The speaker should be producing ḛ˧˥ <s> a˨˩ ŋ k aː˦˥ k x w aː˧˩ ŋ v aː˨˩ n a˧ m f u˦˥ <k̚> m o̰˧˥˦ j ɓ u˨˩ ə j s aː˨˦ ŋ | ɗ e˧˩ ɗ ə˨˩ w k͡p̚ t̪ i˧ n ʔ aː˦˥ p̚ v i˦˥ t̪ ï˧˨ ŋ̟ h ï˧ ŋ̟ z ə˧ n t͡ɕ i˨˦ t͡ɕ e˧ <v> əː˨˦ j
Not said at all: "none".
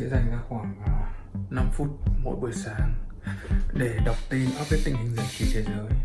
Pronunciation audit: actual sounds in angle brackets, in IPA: z, t̚, z

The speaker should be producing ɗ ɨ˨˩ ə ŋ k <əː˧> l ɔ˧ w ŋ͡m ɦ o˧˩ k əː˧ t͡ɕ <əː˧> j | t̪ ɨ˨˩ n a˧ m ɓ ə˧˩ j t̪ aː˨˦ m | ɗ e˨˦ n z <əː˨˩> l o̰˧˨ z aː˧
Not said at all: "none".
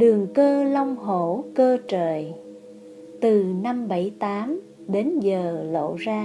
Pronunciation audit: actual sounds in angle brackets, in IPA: əː˧, əː˧˨˩, əː˨˩

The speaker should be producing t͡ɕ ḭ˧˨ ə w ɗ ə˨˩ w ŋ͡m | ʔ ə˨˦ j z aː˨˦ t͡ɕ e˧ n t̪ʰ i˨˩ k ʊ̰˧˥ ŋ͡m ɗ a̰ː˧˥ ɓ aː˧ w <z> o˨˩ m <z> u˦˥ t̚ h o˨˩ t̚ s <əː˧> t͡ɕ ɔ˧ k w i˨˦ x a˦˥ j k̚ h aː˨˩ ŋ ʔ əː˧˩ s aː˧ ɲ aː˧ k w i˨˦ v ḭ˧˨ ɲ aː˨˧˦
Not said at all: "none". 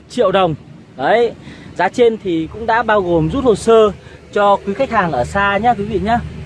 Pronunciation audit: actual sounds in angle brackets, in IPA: ɣ, z, əː˧

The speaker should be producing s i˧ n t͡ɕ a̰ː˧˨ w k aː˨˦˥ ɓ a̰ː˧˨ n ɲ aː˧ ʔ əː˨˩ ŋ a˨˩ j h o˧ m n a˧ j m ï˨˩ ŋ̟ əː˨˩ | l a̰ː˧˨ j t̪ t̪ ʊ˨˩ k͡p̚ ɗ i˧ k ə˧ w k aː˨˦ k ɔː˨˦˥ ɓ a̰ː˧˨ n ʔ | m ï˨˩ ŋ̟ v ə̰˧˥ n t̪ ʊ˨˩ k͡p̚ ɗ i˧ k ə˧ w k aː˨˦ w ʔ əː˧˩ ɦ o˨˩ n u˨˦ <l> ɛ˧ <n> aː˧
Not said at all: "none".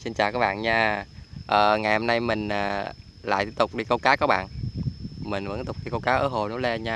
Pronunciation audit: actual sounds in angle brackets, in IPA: l, ɲ

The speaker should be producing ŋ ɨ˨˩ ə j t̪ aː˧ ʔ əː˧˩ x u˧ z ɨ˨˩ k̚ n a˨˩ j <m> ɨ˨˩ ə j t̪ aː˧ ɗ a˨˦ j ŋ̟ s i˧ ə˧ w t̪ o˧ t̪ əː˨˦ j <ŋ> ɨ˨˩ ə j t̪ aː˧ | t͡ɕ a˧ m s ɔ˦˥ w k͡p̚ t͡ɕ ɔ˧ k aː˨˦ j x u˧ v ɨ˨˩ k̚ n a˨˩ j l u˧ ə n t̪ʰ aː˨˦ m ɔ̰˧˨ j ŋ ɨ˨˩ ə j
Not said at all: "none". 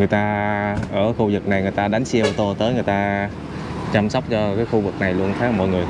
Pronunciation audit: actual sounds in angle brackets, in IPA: ŋ, ŋ

